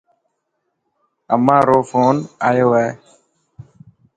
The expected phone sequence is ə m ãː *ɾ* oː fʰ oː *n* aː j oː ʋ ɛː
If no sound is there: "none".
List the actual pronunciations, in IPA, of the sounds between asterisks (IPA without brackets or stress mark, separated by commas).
ɾ, n